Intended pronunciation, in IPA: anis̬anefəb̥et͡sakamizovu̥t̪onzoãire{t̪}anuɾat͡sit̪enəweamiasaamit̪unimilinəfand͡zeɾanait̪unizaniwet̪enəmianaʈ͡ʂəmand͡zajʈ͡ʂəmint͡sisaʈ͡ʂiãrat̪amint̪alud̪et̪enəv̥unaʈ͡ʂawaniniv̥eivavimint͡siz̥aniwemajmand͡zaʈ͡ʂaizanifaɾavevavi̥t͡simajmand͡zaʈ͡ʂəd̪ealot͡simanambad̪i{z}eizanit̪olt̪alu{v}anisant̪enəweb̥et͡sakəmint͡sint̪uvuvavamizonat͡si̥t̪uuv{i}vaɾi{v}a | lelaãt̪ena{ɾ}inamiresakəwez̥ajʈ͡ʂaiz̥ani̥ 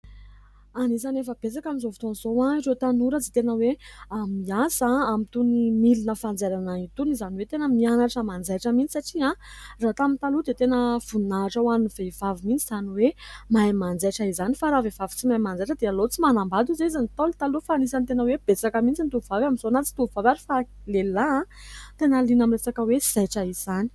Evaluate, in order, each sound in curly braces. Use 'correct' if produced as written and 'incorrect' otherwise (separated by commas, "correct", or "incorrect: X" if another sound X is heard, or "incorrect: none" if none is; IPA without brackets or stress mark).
correct, correct, incorrect: f, incorrect: a, incorrect: f, incorrect: l